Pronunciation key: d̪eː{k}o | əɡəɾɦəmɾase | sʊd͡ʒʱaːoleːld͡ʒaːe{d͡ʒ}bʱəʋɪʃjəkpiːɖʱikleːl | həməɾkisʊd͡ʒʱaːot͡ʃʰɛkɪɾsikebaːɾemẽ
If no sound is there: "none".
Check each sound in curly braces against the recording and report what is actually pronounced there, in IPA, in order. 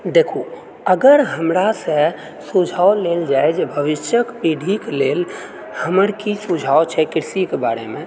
kʰ, d͡ʒ

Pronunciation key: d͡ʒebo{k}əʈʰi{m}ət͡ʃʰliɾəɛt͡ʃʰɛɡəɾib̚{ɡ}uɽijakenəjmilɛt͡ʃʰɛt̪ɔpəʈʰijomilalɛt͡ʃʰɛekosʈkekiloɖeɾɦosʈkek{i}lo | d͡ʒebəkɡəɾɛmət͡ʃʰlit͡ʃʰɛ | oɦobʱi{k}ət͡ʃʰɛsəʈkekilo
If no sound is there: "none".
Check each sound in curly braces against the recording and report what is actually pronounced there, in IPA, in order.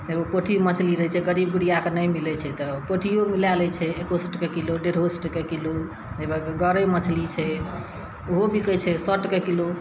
p, m, ɡ, i, k

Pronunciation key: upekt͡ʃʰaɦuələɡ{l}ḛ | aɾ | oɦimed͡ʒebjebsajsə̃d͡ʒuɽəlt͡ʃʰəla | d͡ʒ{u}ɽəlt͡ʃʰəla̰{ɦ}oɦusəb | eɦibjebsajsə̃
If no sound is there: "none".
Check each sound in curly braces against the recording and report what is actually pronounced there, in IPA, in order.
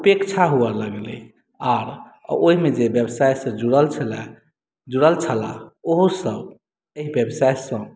l, u, none

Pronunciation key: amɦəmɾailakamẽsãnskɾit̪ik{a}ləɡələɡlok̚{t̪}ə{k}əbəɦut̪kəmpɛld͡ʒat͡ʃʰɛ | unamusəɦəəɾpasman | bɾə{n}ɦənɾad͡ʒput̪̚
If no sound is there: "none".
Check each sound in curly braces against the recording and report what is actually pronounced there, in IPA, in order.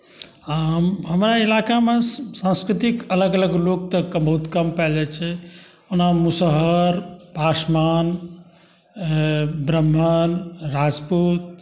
ə, t̪, k, m

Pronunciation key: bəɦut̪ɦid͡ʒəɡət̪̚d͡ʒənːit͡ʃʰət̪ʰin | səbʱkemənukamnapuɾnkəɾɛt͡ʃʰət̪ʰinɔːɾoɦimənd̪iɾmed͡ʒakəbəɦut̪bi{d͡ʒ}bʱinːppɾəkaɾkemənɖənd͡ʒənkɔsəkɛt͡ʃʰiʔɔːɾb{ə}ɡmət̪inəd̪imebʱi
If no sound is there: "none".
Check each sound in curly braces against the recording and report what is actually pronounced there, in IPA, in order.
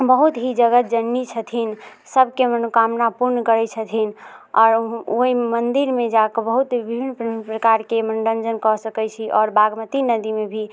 none, a

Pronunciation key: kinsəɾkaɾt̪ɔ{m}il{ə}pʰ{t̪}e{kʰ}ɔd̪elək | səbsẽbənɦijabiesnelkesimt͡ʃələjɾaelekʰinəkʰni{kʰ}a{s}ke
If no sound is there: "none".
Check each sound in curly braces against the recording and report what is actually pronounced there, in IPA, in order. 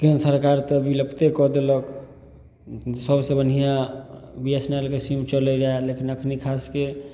b, ə, t̪, k, kʰ, s

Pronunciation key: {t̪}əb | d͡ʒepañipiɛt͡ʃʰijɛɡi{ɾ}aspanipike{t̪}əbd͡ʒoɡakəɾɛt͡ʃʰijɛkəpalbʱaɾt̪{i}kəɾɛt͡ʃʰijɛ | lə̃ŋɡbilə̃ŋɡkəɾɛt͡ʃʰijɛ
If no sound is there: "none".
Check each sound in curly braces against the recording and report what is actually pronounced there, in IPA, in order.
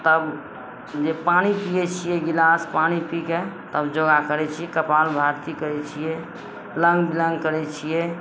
t̪, l, t̪, i

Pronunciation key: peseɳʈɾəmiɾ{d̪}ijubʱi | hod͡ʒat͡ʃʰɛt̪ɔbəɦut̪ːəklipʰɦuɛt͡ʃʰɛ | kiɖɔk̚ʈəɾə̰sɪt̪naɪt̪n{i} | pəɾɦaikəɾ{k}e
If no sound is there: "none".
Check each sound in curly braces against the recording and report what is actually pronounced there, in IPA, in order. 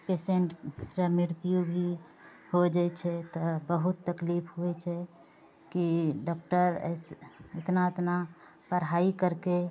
t̪, a, k

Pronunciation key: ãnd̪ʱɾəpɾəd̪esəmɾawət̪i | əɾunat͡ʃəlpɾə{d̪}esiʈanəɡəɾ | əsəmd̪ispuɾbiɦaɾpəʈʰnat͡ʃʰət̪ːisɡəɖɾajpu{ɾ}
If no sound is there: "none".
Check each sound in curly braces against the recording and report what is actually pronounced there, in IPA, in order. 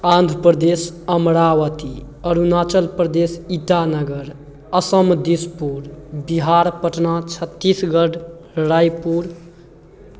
d̪, ɾ

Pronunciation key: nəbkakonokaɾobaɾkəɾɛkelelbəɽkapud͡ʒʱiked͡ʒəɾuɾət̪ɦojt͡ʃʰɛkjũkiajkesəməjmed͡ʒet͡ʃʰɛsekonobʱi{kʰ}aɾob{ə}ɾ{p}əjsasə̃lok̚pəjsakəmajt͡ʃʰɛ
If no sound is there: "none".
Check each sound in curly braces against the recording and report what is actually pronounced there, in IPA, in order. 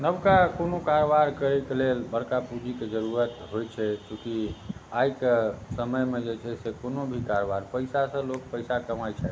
k, a, p

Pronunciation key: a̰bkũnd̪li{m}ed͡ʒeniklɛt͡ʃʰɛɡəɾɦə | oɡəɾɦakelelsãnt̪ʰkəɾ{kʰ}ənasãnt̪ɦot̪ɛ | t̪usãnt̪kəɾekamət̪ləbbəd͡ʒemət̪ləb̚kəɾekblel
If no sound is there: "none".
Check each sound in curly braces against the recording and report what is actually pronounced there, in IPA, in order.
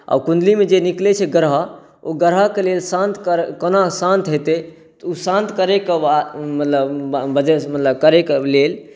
m, k

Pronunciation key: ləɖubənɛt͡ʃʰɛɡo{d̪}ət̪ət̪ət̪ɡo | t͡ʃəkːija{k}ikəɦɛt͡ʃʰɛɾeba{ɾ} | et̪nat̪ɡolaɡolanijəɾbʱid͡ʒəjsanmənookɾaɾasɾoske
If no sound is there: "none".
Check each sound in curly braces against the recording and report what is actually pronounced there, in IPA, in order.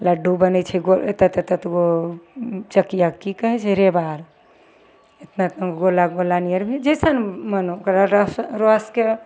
t̪, k, ɾ

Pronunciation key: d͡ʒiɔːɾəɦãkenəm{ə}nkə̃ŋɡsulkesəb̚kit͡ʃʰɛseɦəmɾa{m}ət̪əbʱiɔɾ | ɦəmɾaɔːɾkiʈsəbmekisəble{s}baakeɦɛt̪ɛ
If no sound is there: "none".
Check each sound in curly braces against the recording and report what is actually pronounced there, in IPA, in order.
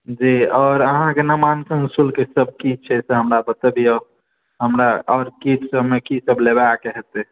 a, b, none

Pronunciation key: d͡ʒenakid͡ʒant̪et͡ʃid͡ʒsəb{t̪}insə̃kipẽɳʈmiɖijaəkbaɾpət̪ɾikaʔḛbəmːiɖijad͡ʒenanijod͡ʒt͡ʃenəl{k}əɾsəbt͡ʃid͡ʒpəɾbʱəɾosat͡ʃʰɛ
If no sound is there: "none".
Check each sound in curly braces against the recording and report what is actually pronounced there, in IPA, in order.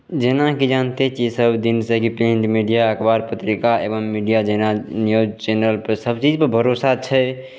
d̪, p

